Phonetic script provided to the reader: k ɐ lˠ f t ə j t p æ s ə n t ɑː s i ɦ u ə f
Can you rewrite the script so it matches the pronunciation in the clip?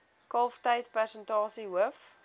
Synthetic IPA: k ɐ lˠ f t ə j t p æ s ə n t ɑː s i ɦ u ə f